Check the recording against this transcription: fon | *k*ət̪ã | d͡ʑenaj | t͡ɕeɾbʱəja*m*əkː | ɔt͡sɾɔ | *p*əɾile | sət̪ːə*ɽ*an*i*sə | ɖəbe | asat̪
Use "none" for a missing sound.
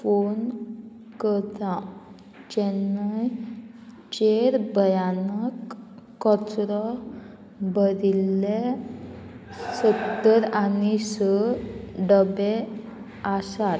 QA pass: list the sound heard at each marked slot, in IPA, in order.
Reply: k, n, b, ɾ, i

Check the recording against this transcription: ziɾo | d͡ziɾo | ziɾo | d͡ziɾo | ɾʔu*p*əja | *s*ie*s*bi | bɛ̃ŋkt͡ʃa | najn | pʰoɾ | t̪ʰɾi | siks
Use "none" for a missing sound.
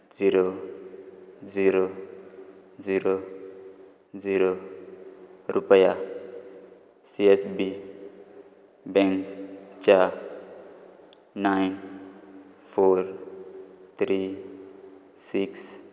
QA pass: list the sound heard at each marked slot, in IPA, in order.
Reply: p, s, s

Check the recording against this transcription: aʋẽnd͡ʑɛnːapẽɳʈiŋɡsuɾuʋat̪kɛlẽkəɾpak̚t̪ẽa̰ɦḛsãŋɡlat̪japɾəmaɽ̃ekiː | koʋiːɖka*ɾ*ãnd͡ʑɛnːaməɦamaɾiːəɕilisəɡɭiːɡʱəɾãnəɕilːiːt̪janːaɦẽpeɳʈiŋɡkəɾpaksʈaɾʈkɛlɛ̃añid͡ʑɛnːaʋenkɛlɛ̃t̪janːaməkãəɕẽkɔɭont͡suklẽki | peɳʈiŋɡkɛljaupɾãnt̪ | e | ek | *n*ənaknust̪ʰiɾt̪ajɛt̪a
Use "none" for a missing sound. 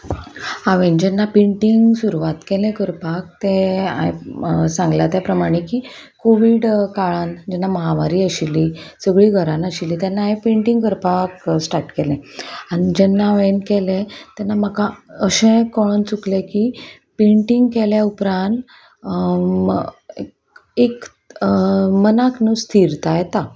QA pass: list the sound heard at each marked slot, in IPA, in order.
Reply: ɭ, m

